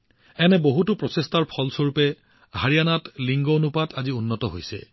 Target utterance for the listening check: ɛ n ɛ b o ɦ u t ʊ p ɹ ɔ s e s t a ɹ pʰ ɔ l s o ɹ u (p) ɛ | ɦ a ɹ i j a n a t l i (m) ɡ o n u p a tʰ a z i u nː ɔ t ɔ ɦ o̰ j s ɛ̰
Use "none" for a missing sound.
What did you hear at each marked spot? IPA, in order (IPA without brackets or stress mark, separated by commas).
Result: p, ŋ